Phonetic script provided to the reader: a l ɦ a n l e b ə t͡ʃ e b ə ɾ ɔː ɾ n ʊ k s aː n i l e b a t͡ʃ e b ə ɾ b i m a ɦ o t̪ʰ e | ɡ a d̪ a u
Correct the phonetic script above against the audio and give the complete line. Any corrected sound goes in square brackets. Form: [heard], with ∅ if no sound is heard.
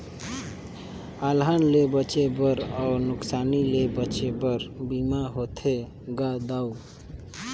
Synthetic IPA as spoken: a l ɦ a n l e b ə t͡ʃ e b ə ɾ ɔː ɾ n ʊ k s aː n i l e b [ə] t͡ʃ e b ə ɾ b i m a ɦ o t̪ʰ e | ɡ a d̪ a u